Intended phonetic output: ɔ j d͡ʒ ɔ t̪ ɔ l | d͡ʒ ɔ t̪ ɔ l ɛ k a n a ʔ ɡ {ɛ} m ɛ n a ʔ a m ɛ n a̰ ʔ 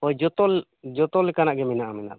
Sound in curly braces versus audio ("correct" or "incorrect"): correct